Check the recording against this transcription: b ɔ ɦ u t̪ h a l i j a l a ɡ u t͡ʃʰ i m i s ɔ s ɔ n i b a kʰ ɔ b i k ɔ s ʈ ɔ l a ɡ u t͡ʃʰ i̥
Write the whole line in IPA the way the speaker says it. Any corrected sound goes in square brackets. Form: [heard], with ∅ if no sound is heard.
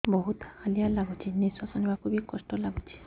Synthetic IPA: b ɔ ɦ u t̪ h a l i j a l a ɡ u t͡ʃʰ i [n] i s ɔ s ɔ n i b a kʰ [u] b i k ɔ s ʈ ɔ l a ɡ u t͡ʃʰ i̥